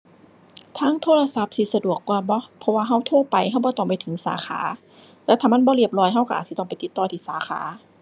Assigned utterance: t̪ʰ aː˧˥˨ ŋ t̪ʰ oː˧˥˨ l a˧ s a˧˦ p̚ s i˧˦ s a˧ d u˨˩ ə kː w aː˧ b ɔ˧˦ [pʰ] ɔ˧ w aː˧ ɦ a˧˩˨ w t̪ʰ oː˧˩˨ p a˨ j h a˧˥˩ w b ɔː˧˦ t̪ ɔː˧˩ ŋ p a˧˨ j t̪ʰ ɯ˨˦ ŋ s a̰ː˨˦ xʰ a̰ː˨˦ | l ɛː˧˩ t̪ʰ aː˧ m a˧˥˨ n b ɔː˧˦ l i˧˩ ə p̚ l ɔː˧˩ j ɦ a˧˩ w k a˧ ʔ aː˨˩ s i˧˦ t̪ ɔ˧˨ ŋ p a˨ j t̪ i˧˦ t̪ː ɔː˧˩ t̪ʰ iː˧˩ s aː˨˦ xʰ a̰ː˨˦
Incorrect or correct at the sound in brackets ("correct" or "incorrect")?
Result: correct